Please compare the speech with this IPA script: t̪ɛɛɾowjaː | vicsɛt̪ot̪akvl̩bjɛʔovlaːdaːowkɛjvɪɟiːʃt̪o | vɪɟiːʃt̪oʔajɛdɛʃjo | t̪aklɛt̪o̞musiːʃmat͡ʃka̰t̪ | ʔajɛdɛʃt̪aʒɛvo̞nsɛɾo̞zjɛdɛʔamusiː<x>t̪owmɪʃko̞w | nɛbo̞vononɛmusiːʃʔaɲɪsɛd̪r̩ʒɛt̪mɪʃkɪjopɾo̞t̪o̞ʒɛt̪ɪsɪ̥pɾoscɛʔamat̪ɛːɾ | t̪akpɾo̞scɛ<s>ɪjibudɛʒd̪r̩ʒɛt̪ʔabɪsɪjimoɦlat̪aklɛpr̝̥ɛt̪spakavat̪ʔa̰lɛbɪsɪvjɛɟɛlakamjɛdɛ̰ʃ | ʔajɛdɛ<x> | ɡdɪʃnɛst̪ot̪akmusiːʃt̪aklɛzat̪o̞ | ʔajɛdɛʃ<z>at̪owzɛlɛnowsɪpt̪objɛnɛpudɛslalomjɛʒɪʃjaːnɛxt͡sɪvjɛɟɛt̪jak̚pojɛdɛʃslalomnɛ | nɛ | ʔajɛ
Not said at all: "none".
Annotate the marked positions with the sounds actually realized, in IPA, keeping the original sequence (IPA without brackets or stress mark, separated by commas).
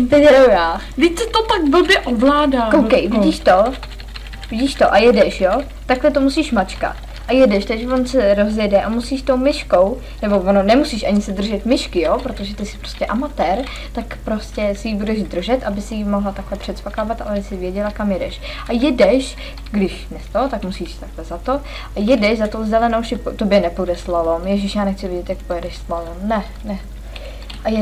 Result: ʃ, s, ʃ, z